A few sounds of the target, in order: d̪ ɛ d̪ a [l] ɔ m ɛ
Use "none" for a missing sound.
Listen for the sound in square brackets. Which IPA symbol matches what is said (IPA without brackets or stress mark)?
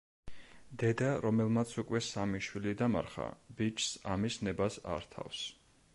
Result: ɾ